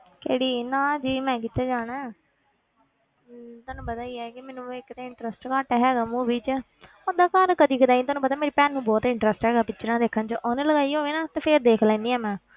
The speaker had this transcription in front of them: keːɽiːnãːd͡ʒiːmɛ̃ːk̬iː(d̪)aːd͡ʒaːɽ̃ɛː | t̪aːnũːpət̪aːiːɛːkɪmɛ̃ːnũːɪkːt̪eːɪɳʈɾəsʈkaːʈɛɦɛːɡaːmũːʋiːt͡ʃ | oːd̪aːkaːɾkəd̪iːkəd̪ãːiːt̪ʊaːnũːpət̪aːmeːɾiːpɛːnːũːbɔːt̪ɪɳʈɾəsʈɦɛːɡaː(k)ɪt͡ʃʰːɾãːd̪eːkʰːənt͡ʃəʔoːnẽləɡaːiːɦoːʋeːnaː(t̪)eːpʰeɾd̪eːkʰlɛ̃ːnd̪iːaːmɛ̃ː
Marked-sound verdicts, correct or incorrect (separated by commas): incorrect, incorrect, correct